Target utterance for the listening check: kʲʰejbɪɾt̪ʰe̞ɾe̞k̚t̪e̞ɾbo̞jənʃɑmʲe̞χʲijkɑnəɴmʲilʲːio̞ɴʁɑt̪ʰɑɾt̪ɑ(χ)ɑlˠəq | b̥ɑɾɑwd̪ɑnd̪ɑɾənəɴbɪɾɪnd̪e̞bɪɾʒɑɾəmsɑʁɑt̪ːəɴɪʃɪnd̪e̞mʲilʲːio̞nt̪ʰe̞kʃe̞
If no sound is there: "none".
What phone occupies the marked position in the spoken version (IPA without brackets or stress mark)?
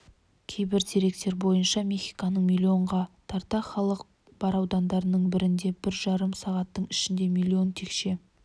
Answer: χ